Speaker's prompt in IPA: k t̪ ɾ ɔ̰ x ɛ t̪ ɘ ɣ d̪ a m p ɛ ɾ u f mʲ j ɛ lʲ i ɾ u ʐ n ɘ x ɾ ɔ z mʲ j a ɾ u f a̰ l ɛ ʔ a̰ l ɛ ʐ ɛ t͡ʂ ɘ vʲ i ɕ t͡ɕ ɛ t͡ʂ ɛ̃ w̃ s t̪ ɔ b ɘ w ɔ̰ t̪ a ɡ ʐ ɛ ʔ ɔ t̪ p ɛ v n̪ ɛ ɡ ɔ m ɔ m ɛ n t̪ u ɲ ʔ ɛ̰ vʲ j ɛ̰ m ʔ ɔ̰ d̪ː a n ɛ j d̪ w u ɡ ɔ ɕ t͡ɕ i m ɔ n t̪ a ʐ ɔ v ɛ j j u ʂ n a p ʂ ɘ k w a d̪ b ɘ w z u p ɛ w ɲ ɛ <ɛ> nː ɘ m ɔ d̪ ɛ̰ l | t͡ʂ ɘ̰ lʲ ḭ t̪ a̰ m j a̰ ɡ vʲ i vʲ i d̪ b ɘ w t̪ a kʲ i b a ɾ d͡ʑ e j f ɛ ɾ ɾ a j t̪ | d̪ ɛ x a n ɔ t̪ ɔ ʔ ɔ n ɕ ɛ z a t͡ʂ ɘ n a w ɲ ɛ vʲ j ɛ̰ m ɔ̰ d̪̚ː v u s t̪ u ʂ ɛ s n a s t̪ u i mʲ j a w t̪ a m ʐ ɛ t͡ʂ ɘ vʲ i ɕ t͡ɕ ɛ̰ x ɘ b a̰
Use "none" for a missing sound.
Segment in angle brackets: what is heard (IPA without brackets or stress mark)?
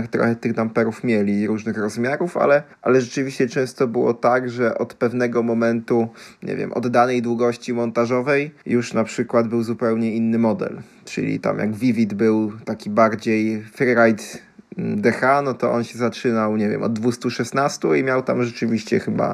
i